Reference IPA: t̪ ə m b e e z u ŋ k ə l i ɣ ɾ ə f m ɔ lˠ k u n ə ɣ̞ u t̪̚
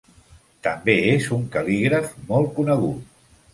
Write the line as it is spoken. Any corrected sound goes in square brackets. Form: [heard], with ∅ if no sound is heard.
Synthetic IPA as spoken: t̪ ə m b e e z u ŋ k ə l i ɣ ɾ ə f m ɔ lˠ k u n ə ɣ̞ u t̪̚